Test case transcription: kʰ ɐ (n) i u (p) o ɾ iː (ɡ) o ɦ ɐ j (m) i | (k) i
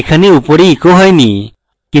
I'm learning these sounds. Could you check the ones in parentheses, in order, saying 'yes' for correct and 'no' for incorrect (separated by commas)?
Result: yes, yes, no, no, yes